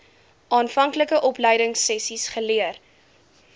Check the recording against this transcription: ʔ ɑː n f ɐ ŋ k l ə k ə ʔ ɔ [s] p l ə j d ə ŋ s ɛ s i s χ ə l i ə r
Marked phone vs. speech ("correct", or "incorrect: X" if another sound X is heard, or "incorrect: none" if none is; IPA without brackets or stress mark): incorrect: none